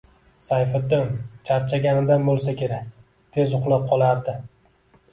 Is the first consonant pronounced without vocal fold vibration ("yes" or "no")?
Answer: yes